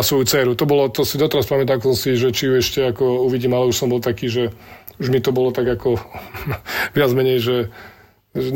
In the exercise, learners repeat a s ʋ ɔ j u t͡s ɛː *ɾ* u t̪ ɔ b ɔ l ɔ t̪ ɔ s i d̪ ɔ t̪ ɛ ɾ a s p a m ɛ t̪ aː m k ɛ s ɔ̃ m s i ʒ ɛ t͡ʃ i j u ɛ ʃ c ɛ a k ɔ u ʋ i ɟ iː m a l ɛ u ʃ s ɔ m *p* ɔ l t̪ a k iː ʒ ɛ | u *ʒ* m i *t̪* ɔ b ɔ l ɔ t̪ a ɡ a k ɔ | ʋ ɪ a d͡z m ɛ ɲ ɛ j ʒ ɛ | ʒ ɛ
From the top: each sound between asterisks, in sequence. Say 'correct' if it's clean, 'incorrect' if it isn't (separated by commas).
correct, incorrect, correct, correct